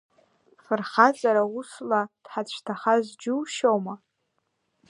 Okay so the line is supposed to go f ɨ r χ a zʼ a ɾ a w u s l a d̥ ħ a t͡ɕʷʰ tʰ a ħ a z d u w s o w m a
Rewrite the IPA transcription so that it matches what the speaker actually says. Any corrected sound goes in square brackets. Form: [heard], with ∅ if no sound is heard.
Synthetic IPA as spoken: f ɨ r χ a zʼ a ɾ a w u s l a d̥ ħ a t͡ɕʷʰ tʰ a [χ] a z [d͡ʒ] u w [ʃ] o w m a